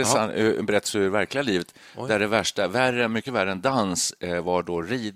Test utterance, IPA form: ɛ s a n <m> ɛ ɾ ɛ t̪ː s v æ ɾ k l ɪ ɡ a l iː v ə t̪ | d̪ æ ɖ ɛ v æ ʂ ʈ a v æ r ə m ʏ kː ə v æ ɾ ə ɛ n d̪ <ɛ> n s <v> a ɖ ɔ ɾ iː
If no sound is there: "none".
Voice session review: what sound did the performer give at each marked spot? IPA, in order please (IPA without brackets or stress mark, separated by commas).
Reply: b, a, v